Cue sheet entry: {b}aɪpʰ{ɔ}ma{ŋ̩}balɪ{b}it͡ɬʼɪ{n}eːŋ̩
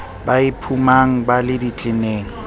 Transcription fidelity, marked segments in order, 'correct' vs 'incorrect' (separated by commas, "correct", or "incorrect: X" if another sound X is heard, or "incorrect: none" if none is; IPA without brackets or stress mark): correct, incorrect: u, correct, incorrect: d, correct